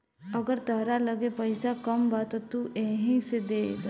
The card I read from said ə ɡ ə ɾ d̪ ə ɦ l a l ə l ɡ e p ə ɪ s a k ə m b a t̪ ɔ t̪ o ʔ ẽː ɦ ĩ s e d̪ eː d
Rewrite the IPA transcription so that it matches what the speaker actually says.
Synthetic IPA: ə ɡ ə ɾ t̪ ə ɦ ɾ a l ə ɡ e p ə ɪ s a k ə m b a t̪ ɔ t̪ u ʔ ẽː ɦ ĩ s e d̪ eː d